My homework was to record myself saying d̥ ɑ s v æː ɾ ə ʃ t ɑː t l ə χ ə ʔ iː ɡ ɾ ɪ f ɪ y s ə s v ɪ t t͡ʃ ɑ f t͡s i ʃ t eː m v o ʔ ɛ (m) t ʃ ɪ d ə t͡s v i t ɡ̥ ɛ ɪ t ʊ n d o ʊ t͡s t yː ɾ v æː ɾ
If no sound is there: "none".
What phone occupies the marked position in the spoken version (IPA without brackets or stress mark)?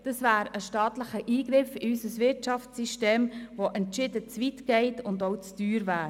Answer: n